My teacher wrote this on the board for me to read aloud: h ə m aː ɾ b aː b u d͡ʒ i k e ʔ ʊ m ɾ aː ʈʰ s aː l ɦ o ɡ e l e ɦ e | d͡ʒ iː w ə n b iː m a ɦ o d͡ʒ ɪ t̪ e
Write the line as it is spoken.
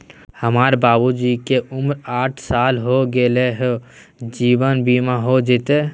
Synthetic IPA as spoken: h ə m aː ɾ b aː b u d͡ʒ i k e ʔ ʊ m ɾ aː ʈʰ s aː l ɦ o ɡ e l e ɦ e | d͡ʒ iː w ə n b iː m a ɦ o d͡ʒ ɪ t̪ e